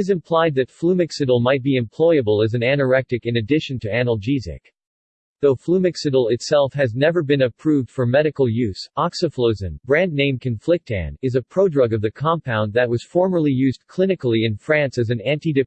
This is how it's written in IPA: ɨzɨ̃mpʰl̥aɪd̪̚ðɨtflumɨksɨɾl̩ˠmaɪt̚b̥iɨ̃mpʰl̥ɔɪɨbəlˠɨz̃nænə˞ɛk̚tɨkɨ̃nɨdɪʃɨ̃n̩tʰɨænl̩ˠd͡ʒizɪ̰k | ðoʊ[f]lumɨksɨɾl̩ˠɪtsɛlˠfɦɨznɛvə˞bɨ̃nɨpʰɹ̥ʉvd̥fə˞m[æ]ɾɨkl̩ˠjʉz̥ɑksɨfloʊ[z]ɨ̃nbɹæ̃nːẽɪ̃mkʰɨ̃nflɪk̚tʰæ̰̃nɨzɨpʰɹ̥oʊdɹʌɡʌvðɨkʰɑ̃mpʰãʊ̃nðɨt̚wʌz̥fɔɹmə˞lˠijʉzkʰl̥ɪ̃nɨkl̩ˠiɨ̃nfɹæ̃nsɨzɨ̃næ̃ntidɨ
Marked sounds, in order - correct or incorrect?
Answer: correct, incorrect: ɛ, correct

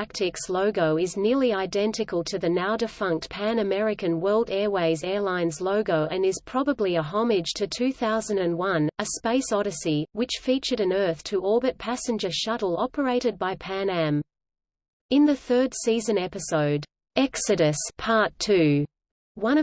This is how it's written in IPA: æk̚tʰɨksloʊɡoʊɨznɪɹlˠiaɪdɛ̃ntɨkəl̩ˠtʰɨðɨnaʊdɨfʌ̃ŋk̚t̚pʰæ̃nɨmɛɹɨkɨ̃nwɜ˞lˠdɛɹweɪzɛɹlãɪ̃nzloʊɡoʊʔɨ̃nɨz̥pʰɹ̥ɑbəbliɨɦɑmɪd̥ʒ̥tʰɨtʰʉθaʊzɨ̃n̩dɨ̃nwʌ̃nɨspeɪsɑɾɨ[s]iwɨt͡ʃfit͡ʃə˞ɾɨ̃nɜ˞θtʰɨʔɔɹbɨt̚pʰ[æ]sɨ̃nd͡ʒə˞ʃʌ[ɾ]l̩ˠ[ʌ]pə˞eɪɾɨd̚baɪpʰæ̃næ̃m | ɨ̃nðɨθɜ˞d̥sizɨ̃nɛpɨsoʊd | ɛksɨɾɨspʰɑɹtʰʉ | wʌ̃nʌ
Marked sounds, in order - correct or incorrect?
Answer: correct, correct, correct, incorrect: ɑ

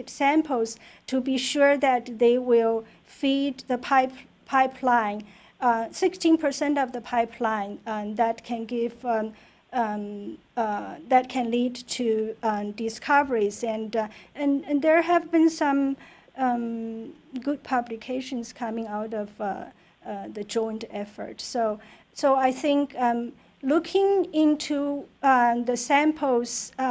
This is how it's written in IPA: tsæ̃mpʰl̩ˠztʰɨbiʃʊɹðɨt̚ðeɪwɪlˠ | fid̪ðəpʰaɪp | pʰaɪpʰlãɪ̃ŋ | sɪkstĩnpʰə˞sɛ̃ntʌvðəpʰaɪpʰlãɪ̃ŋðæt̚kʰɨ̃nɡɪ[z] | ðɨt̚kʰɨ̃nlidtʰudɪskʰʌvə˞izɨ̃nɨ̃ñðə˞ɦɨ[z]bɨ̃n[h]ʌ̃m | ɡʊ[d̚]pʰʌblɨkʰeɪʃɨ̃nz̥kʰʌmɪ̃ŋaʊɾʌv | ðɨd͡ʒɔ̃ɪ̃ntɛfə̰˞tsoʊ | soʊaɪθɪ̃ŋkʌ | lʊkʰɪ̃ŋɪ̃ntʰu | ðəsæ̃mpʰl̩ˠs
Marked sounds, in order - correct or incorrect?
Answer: incorrect: v, incorrect: v, incorrect: s, correct

